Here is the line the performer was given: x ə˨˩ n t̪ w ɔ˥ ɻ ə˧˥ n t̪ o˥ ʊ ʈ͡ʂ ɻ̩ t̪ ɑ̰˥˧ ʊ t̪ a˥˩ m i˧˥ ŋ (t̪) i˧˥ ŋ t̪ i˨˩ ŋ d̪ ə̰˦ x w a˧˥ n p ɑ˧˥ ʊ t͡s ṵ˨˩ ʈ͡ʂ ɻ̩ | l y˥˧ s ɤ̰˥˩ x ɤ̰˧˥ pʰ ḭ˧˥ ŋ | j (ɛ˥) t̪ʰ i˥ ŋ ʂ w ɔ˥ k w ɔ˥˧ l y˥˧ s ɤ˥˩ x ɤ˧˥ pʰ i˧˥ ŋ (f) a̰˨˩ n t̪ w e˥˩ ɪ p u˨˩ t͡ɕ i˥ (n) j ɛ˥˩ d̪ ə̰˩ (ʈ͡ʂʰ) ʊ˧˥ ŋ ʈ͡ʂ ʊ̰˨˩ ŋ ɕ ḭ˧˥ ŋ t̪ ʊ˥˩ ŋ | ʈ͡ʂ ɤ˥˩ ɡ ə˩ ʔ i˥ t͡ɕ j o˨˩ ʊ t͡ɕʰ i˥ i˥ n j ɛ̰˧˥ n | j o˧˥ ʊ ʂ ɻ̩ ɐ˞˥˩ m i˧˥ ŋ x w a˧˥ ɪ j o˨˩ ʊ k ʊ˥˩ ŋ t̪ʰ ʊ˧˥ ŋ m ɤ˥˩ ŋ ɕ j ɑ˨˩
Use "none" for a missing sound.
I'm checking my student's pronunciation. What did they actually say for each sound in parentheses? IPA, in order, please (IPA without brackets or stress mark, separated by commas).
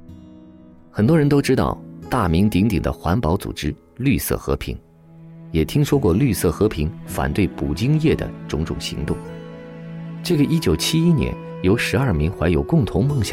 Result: t̪, ɛ˨˩, f, ŋ, ʈ͡ʂ